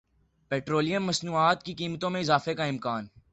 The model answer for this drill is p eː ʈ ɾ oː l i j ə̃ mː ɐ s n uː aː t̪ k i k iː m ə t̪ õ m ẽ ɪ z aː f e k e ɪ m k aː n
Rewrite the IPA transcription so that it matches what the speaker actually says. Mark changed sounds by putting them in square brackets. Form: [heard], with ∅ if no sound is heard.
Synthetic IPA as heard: p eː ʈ ɾ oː l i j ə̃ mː ɐ s n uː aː t̪ k i k iː m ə t̪ õ m ẽ ɪ z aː f e k [a] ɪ m k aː n